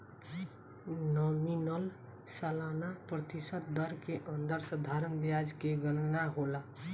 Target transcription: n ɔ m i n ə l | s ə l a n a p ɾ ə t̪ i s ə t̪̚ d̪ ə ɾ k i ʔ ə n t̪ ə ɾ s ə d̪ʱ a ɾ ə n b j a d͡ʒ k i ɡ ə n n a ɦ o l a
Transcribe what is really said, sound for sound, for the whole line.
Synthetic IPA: n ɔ m i n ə l | s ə l a n a p ɾ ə t̪ i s ə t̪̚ d̪ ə ɾ k e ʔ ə n d̪ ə ɾ s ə d̪ʱ a ɾ ə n b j a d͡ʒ k e ɡ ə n n a ɦ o l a